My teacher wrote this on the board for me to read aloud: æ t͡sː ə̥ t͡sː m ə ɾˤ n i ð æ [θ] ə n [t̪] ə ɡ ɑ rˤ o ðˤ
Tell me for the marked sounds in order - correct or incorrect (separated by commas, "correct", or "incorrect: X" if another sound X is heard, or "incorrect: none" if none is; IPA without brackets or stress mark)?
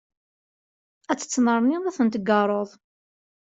correct, correct